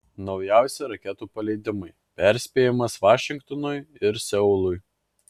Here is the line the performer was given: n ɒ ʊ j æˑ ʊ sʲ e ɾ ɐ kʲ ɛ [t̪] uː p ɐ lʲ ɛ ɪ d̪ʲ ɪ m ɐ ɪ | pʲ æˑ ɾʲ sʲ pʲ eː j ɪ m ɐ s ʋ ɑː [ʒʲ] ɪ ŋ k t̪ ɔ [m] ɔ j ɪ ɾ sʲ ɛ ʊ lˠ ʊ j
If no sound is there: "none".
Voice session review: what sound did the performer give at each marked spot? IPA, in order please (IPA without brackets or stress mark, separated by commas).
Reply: t̪, ʃʲ, n